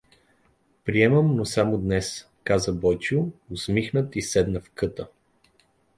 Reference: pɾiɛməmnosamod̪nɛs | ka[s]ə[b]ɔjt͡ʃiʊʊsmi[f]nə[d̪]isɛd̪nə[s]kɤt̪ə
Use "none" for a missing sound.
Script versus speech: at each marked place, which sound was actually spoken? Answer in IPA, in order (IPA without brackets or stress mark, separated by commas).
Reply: z, b, x, t̪, f